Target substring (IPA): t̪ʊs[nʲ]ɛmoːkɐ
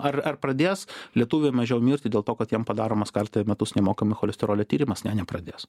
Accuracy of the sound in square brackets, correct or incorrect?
correct